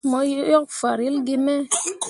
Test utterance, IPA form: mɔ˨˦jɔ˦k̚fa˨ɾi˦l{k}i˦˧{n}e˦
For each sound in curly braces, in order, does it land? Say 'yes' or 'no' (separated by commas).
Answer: no, no